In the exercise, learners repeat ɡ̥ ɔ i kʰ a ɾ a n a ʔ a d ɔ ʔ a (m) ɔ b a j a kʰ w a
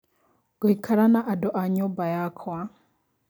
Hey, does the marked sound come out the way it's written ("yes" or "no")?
no